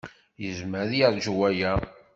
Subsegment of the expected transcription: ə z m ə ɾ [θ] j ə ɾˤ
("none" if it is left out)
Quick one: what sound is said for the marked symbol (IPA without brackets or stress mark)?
ð